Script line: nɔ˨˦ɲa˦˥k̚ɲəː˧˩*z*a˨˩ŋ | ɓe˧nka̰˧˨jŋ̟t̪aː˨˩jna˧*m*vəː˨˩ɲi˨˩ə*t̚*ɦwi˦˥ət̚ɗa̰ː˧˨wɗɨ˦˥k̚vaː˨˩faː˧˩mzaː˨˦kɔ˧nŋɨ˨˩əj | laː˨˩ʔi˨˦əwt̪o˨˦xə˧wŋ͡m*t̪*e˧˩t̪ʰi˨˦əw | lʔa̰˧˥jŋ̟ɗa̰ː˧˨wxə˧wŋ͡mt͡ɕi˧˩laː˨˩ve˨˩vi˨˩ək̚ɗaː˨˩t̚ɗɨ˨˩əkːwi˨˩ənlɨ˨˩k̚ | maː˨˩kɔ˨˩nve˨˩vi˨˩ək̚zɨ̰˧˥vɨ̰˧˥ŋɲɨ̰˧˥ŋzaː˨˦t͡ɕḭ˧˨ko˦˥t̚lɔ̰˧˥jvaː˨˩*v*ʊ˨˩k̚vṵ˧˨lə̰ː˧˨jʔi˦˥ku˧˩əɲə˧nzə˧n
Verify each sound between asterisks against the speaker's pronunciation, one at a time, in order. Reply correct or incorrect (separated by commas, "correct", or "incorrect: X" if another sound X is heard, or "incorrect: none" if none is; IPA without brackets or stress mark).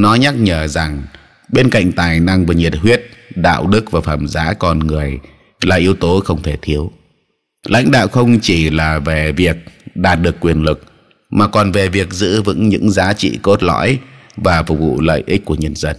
correct, incorrect: ŋ, correct, incorrect: t̪ʰ, incorrect: f